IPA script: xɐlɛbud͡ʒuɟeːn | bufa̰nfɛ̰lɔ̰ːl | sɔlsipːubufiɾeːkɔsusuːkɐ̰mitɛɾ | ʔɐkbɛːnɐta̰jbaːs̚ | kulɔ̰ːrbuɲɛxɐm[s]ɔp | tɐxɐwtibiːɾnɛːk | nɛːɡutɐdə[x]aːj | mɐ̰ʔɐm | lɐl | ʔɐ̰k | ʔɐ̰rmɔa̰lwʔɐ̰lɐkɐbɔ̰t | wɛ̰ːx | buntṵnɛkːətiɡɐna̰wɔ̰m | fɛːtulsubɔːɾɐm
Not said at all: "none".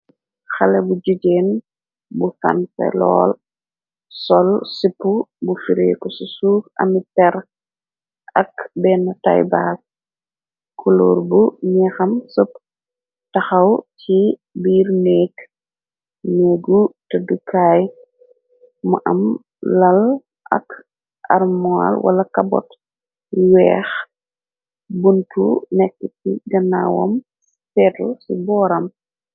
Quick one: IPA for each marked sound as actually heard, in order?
s, k

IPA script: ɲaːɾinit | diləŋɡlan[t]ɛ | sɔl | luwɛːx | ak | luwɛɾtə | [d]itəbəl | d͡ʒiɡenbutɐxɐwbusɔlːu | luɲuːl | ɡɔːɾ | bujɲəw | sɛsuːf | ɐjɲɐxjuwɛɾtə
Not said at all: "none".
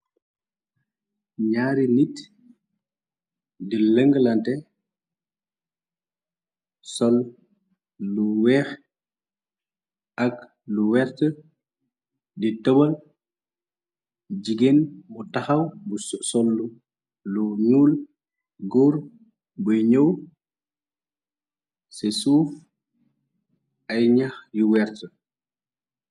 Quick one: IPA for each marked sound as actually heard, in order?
t, d

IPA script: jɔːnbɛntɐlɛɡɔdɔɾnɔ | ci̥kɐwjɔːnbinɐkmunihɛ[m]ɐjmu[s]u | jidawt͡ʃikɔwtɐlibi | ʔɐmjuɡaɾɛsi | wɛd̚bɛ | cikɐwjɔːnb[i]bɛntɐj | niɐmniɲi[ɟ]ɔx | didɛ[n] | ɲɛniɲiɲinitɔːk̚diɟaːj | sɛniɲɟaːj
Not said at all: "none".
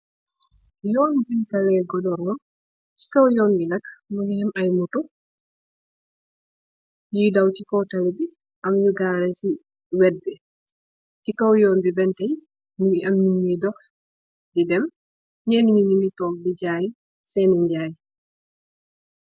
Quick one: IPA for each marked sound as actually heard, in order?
m, t, i, d, m

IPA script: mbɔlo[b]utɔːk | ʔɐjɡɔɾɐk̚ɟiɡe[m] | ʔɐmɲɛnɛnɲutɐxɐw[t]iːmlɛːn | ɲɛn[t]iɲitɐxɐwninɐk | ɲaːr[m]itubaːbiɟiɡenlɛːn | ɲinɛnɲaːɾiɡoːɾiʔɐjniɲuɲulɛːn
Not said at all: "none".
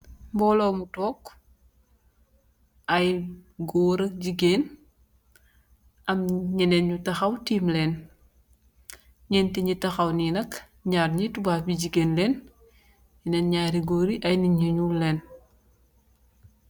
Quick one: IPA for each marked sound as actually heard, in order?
m, n, t, t, ɲ

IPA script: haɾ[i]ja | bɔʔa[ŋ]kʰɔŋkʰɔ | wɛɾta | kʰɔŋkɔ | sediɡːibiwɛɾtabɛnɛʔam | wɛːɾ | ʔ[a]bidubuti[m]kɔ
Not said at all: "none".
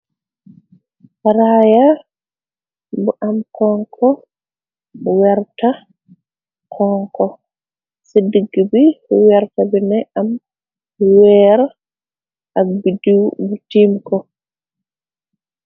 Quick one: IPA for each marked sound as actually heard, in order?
a, m, a, m

